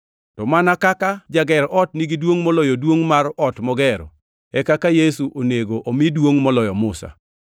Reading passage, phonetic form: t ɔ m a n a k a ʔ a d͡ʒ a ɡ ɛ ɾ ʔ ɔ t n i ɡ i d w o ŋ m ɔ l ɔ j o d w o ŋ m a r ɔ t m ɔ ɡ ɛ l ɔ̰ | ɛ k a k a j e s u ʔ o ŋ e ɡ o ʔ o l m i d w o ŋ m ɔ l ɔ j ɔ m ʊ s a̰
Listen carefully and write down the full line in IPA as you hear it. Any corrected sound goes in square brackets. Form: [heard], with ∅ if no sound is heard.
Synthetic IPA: t ɔ m a n a k a [k] a d͡ʒ a ɡ ɛ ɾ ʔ ɔ t n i ɡ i d w o ŋ m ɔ l ɔ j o d w o ŋ m a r ɔ t m ɔ ɡ ɛ [ɾ] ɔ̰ | ɛ k a k a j e s u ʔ o [n] e ɡ o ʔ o [∅] m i d w o ŋ m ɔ l ɔ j ɔ m ʊ s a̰